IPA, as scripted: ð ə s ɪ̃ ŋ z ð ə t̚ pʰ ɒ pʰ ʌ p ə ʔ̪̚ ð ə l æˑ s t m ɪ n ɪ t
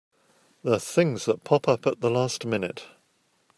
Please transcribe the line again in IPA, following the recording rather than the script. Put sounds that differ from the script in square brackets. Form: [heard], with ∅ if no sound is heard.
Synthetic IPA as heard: ð ə [θ] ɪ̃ ŋ z ð ə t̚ pʰ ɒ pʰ ʌ p ə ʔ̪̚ ð ə l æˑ s t m ɪ n ɪ t